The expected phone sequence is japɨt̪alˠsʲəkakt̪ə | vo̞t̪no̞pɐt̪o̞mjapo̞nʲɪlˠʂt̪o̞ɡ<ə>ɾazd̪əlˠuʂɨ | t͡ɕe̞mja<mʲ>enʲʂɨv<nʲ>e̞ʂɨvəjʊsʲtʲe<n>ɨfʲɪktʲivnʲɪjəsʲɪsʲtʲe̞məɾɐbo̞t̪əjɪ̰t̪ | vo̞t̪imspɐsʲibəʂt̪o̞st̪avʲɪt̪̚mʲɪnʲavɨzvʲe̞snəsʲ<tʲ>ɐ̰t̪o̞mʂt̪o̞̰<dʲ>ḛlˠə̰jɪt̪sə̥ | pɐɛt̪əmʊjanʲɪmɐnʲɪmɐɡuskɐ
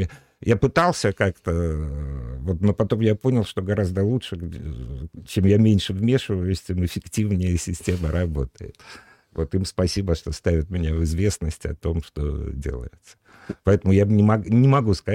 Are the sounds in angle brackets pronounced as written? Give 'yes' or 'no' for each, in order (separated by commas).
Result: no, yes, no, no, yes, yes